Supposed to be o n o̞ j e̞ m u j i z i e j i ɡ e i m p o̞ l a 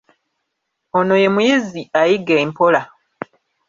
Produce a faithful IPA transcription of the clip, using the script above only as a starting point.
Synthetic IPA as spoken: o n o̞ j e̞ m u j i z i a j i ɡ e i m p o̞ l a

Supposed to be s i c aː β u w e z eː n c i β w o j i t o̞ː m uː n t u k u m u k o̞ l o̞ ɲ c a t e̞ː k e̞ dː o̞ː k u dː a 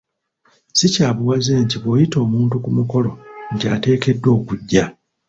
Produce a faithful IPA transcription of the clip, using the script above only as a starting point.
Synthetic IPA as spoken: s i c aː β u w a z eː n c i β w o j i t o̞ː m uː n t u k u m u k o̞ l o̞ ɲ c a t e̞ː k e̞ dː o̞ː k u ɟː a

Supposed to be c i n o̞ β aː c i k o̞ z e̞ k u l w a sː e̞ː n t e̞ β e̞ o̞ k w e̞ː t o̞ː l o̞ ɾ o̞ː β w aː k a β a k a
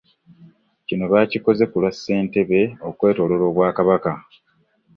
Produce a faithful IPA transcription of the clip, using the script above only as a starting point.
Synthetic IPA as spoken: c i n o̞ β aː c i k o̞ z e̞ k u l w a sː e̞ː n t e̞ β e̞ o̞ k w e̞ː t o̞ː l o̞ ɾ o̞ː β w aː k a β a k a

